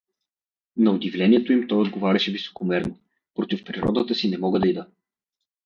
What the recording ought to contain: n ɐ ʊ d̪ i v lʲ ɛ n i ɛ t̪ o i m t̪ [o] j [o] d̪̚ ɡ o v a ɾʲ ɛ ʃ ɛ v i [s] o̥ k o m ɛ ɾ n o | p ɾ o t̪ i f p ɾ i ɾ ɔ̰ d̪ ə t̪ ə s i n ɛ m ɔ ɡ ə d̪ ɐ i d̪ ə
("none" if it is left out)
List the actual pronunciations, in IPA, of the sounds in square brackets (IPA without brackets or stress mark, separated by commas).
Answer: ɔ, o, s